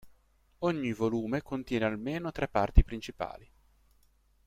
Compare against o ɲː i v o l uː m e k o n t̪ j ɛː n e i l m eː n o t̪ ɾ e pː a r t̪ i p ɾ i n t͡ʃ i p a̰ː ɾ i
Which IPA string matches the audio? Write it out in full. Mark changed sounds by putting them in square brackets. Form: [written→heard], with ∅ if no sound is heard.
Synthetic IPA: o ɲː i v o l uː m e k o n t̪ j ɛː n e [i→a] l m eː n o t̪ ɾ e pː a r t̪ i p ɾ i n t͡ʃ i p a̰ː [ɾ→l] i